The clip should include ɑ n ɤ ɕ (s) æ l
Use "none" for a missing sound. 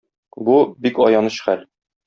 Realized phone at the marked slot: χ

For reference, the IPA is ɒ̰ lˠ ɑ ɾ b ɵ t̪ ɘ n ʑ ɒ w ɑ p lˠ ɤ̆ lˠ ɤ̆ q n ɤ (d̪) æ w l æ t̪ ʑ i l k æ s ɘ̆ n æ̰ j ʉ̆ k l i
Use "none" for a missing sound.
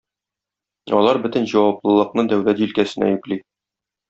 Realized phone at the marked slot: d̪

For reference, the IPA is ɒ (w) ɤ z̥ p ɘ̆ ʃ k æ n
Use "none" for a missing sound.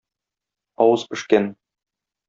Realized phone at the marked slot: w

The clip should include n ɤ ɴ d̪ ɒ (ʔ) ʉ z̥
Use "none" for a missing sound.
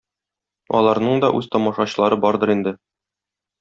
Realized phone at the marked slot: ʔ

